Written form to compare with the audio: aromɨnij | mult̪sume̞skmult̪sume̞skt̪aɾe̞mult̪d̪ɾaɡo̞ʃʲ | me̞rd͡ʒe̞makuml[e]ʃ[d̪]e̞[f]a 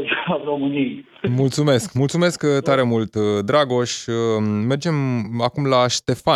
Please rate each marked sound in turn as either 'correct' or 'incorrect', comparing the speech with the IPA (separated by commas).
incorrect, incorrect, correct